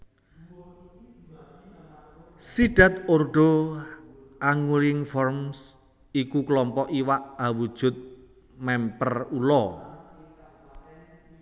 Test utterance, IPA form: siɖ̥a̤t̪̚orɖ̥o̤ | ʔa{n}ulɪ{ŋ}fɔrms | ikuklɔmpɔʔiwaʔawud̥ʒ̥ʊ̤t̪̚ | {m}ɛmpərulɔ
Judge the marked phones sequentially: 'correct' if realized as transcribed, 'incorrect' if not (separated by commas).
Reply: incorrect, correct, correct